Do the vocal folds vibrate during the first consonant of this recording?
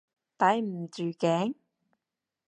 no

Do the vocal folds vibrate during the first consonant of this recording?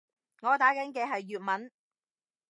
yes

